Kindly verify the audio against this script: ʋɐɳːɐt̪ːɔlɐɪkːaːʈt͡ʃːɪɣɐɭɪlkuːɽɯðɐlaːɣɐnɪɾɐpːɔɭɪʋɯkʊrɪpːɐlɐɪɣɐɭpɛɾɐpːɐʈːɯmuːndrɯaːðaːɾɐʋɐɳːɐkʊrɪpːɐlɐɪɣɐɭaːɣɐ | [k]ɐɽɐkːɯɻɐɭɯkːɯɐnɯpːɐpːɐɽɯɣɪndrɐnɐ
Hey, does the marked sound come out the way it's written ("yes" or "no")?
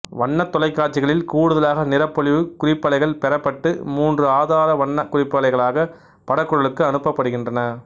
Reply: no